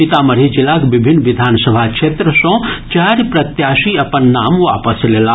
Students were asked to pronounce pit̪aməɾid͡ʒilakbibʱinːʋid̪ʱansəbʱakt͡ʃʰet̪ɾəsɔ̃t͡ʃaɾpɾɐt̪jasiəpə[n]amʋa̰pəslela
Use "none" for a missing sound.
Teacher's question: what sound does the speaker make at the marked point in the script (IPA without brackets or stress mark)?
nː